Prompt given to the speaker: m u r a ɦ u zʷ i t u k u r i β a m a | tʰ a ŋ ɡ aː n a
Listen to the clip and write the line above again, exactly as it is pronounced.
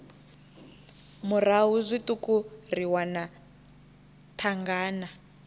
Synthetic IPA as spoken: m u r a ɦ u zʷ i t u k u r i w a n a | tʰ a ŋ ɡ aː n a